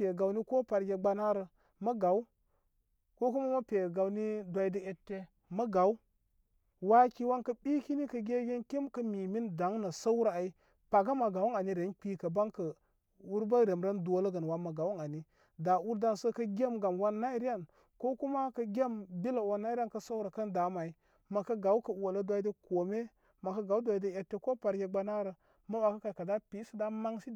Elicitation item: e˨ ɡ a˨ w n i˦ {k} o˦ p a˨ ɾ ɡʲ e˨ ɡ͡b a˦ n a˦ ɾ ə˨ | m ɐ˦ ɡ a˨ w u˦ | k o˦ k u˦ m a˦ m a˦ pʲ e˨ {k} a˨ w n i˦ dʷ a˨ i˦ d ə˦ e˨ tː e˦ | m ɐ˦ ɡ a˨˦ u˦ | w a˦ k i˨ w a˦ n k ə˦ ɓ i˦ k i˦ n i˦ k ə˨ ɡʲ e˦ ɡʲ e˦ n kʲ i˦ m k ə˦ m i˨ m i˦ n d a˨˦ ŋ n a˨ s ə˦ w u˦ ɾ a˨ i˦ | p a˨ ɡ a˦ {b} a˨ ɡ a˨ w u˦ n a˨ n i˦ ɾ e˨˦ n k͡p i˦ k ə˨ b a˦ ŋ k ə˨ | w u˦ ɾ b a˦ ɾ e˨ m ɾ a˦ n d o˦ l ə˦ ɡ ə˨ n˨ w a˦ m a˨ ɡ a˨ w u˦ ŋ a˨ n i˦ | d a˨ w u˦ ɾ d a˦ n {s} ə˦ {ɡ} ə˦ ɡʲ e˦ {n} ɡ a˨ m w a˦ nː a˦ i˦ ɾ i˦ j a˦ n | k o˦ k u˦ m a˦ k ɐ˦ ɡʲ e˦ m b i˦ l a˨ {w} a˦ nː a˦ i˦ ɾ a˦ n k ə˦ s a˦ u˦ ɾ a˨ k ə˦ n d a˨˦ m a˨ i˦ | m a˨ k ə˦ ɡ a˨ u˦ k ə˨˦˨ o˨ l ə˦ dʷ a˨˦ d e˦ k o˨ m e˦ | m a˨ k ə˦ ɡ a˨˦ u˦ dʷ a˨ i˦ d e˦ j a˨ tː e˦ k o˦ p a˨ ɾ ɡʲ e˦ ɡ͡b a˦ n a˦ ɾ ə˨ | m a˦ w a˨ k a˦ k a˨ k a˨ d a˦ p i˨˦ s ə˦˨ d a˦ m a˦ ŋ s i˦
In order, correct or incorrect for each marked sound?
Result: correct, incorrect, incorrect, correct, incorrect, incorrect, correct

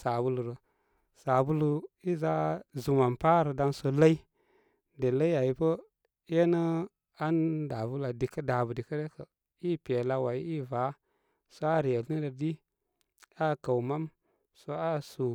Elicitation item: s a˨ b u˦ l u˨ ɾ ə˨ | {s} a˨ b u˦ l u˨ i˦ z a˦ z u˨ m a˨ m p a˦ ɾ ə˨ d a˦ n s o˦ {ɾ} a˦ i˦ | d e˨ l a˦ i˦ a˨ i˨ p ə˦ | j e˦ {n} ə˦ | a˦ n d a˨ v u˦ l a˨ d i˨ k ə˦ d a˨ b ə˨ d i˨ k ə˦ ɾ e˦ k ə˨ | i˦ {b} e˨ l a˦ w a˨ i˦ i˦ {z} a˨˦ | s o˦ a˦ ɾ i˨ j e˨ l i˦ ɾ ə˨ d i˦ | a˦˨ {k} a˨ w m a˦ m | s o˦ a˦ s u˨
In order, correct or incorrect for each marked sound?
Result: correct, incorrect, correct, incorrect, incorrect, correct

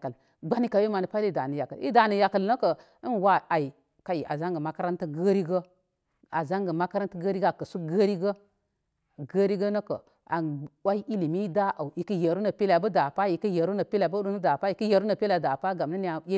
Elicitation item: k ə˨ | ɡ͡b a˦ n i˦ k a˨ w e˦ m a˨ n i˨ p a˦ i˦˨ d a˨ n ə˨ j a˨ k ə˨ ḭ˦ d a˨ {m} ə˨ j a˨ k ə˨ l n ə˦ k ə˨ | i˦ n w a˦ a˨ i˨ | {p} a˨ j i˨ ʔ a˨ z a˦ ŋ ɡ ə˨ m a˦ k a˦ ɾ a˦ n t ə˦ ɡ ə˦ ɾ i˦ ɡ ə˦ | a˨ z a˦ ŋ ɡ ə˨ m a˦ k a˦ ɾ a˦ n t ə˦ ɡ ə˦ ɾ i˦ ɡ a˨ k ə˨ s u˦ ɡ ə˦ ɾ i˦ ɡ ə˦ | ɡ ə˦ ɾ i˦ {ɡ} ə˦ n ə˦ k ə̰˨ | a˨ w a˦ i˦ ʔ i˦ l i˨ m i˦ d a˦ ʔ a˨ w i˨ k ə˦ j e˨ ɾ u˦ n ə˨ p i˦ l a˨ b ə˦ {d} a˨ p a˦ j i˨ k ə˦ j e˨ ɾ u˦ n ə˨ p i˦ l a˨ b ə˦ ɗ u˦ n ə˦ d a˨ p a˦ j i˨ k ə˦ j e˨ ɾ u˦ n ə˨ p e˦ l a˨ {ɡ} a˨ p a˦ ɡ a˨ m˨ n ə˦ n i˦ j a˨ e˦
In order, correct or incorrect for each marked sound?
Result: incorrect, incorrect, correct, correct, incorrect

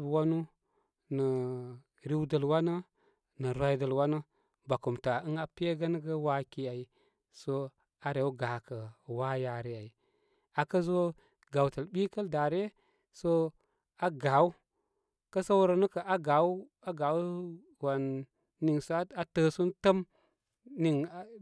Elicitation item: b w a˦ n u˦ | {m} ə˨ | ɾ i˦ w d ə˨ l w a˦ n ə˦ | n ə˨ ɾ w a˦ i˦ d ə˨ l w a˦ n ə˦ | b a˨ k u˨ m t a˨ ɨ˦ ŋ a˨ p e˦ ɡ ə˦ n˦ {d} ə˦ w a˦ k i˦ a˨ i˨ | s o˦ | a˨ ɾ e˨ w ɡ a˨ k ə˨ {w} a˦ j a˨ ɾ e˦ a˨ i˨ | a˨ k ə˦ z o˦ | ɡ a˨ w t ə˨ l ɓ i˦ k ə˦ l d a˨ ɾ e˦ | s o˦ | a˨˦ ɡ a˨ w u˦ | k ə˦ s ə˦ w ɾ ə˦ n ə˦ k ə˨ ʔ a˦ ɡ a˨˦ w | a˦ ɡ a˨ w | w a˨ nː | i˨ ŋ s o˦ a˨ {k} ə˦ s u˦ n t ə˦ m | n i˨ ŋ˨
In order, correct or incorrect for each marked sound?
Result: incorrect, incorrect, correct, incorrect

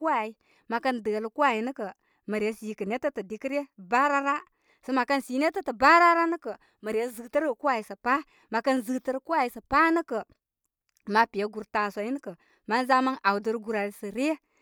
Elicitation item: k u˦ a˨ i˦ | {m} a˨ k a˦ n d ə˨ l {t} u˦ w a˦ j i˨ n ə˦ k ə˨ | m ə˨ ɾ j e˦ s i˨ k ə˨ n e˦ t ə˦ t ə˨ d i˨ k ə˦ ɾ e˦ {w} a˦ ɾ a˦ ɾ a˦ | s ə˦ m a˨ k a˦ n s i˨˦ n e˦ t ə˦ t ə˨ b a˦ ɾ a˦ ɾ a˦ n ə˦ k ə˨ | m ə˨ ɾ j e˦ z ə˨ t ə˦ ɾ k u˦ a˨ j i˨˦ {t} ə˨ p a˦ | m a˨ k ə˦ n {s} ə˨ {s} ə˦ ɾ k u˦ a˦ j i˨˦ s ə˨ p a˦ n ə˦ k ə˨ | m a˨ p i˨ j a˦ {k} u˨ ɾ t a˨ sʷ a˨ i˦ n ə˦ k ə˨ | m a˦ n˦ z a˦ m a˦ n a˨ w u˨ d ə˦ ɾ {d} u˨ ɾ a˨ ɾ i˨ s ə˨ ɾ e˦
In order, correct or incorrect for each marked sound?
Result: correct, incorrect, incorrect, incorrect, incorrect, incorrect, incorrect, incorrect

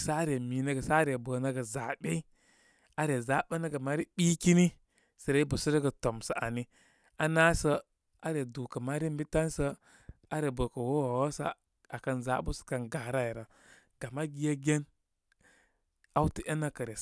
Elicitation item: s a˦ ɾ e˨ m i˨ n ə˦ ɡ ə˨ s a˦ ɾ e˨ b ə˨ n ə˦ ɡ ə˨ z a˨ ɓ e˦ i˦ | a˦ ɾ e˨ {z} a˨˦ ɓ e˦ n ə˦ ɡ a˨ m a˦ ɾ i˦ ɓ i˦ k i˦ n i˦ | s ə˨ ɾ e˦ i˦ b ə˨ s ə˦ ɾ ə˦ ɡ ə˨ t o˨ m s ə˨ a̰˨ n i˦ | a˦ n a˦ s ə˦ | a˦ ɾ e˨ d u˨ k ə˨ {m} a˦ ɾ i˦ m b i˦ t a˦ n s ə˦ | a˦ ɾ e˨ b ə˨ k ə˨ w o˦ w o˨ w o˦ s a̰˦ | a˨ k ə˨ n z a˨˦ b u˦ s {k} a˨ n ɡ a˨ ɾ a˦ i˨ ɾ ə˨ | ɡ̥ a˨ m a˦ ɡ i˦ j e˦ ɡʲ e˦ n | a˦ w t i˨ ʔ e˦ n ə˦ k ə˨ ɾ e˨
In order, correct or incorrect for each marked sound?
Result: correct, correct, correct

